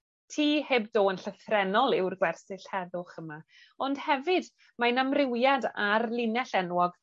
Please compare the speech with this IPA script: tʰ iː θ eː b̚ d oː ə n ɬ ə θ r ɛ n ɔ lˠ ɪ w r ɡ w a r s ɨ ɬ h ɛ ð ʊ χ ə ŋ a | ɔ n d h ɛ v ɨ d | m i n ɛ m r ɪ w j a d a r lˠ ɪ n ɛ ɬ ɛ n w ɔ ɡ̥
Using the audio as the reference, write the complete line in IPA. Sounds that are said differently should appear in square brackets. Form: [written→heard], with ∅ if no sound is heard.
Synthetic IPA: tʰ iː [θ→h] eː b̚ d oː ə n ɬ ə θ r ɛ n ɔ lˠ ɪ w r ɡ w [a→ɛ] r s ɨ ɬ h ɛ ð ʊ χ ə [ŋ→m] a | ɔ n d h ɛ v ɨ d | m [i→a] n [ɛ→a] m r ɪ w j a d a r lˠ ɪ n ɛ ɬ ɛ n w ɔ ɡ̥